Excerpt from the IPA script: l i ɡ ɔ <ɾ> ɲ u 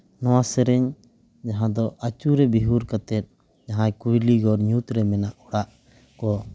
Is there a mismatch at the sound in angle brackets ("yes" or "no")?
no